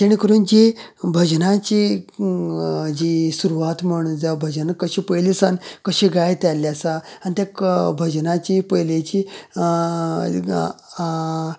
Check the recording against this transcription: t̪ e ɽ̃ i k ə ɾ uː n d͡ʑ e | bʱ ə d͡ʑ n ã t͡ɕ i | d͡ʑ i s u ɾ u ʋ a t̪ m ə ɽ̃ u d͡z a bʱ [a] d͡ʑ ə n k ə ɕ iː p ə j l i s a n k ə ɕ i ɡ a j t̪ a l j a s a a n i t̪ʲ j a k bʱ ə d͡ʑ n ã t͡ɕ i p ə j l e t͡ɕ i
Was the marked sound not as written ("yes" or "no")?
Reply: yes